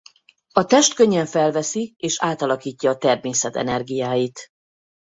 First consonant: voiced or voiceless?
voiceless